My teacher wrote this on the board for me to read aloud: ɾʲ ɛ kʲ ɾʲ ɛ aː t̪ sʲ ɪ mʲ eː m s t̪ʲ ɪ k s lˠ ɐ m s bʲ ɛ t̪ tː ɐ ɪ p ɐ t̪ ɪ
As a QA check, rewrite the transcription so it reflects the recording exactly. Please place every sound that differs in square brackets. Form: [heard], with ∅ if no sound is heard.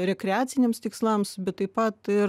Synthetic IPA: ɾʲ ɛ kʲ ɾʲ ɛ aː t̪ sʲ ɪ [nʲ] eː m s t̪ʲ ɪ k s lˠ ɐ m s bʲ ɛ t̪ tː ɐ ɪ p ɐ t̪ ɪ